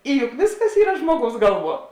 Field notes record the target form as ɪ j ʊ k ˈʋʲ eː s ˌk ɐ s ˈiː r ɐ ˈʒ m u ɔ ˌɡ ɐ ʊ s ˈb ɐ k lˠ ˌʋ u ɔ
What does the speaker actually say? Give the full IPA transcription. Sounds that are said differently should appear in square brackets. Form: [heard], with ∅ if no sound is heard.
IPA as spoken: ɪ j ʊ k ˈʋʲ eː s ˌk ɐ s ˈiː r ɐ ˈʒ m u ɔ ˌɡ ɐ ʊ s [ˈɡ] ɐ [∅] lˠ ˌʋ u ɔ